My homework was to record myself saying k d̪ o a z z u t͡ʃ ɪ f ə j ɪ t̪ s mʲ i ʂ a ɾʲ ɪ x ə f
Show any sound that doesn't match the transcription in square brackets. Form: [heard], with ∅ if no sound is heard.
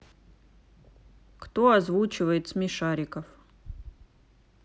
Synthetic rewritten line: k [t̪] o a z [v] u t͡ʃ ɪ [v] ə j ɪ t̪ s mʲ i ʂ a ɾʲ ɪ [k] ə f